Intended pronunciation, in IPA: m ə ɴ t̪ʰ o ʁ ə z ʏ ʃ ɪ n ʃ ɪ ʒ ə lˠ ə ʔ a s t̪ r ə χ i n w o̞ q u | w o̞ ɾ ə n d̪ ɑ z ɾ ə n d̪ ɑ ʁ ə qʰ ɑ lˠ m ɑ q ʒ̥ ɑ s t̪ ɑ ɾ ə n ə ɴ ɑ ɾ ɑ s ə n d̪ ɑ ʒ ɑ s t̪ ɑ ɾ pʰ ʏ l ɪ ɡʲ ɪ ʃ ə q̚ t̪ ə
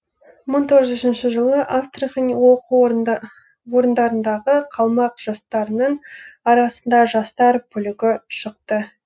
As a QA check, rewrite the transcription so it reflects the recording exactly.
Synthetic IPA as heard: m ə ɴ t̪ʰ o ʁ ə z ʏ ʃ ɪ n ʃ ɪ ʒ ə lˠ ə ʔ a s t̪ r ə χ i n w o̞ q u | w o̞ ɾ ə n d̪ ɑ ɾ ə n d̪ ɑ ʁ ə qʰ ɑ lˠ m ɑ q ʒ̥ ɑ s t̪ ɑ ɾ ə n ə ɴ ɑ ɾ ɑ s ə n d̪ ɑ ʒ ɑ s t̪ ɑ ɾ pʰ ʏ l ɪ ɡʲ ɪ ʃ ə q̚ t̪ ə